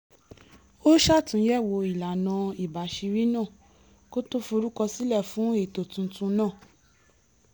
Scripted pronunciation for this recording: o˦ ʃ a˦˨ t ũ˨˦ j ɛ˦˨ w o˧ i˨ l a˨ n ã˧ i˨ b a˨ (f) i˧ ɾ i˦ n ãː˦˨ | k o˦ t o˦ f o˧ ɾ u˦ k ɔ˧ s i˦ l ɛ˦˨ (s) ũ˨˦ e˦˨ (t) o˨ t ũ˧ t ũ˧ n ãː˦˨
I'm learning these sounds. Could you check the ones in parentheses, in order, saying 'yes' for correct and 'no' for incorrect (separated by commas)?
no, no, yes